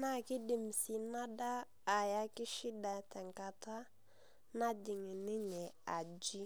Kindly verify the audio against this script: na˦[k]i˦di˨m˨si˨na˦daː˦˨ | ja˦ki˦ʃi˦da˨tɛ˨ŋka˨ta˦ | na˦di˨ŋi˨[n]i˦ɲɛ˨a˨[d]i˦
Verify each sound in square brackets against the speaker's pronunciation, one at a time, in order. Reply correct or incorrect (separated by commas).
correct, correct, incorrect